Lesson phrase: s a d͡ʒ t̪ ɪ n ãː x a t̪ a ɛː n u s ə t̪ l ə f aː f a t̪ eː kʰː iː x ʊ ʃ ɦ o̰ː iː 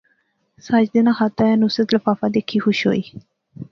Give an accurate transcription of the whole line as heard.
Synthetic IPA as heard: s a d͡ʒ d̪ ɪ n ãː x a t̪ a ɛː n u s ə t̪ l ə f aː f a d̪ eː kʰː iː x ʊ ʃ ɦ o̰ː iː